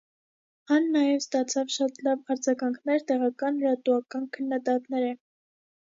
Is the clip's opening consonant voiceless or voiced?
voiced